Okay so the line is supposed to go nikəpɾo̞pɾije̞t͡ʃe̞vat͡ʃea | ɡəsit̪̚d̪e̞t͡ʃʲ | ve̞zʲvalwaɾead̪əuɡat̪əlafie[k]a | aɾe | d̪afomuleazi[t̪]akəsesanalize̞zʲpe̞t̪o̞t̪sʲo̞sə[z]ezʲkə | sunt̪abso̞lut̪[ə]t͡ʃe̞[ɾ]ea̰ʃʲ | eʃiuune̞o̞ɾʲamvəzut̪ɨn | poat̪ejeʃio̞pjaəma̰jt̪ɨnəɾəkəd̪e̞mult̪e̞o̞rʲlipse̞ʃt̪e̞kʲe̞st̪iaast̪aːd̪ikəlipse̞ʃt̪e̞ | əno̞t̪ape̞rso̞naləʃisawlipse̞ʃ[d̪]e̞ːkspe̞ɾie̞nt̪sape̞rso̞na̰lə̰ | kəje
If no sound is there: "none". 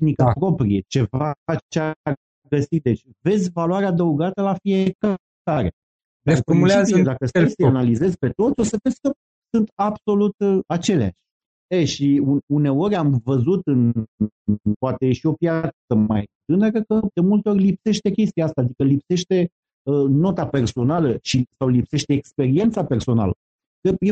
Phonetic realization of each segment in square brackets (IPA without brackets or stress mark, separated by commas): k, d̪, v, a, l, t̪